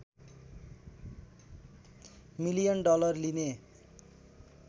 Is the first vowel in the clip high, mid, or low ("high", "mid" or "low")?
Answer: high